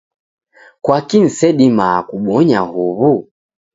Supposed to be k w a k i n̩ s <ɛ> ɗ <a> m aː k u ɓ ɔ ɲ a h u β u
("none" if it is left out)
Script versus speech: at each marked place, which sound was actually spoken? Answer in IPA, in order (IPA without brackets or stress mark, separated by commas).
ɛ, i